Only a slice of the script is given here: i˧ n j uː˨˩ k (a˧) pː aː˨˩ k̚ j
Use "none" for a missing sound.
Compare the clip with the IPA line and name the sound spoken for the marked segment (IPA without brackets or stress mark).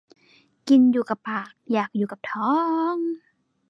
a˨˩